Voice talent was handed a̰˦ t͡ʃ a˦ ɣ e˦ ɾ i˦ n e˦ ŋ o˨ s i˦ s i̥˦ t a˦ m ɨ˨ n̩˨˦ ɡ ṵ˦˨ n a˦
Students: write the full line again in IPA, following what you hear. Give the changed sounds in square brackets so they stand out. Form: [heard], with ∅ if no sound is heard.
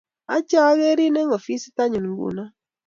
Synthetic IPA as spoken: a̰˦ t͡ʃ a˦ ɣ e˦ ɾ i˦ n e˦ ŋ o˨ [f] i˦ s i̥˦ t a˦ [ɲ] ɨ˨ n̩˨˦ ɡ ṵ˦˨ n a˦